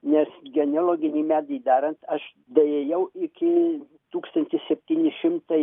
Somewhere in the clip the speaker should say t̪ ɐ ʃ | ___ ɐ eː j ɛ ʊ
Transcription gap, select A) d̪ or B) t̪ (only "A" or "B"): A